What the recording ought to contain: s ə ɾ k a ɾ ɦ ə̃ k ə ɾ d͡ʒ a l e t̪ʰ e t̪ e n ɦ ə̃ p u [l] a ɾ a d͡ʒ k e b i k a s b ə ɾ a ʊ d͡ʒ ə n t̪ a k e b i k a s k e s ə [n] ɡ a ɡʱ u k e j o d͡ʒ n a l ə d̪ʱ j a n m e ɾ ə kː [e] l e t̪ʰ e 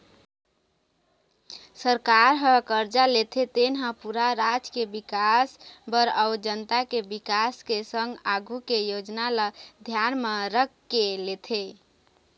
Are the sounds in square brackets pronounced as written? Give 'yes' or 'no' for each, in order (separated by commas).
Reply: no, no, yes